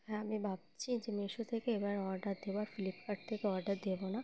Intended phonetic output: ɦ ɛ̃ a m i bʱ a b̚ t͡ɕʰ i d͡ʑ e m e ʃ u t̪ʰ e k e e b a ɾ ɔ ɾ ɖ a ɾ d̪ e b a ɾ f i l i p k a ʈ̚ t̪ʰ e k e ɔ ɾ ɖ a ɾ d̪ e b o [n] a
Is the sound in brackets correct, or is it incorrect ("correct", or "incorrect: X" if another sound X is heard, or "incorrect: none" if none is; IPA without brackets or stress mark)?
correct